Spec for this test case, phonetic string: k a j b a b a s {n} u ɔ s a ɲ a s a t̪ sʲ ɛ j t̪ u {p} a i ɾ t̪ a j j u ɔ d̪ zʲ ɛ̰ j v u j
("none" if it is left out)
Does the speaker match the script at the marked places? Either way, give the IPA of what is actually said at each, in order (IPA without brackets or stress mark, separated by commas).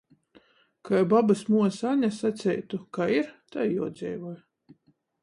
m, k